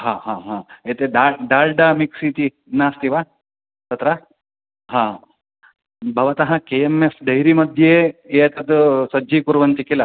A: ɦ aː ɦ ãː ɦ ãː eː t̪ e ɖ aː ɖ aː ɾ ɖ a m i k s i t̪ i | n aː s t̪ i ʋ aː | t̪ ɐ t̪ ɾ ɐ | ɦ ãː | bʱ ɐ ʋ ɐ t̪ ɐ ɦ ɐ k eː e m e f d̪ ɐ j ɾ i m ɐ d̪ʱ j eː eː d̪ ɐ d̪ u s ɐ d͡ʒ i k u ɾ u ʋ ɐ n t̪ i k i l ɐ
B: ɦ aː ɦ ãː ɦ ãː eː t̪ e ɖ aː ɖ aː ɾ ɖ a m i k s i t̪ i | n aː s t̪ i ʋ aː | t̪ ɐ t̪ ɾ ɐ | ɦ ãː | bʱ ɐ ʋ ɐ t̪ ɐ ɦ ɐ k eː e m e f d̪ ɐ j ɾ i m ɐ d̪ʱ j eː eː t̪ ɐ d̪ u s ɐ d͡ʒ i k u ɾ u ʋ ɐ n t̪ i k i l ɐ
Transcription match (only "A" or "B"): B